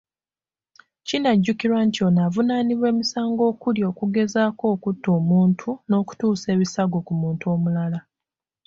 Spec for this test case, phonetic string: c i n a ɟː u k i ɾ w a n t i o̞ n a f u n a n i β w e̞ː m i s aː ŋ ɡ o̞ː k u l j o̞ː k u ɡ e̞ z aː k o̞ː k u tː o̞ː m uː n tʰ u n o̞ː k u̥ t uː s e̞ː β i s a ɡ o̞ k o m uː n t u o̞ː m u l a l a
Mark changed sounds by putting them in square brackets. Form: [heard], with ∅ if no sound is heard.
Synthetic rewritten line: c i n a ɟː u k i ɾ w a n t i o̞ n a [v] u n a n i β w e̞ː m i s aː ŋ ɡ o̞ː k u l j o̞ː k u ɡ e̞ z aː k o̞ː k u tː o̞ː m uː n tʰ u n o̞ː k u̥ t uː s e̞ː β i s a ɡ o̞ k [u] m uː n t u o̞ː m u l a l a